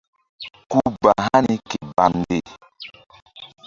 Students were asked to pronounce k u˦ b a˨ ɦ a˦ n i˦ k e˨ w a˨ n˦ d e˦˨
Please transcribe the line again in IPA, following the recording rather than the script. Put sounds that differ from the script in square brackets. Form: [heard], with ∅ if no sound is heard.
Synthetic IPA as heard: k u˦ b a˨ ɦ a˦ n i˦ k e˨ [b] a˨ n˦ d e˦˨